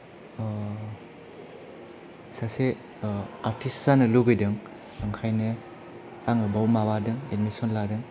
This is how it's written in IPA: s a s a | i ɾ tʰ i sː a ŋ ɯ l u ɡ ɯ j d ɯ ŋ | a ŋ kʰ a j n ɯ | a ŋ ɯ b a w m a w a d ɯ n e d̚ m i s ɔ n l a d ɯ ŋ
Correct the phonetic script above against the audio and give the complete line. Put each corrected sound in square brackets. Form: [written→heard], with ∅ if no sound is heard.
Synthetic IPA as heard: s a s [a→e] | [i→a] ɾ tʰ i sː a [ŋ→n] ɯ l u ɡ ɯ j d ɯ ŋ | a ŋ kʰ a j n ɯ | a ŋ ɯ b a w m a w a d ɯ [n→ŋ] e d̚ m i s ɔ n l a d ɯ ŋ